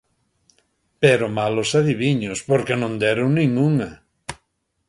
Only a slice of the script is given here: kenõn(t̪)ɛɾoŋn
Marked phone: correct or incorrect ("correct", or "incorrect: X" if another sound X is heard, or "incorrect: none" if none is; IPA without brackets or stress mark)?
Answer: incorrect: d̪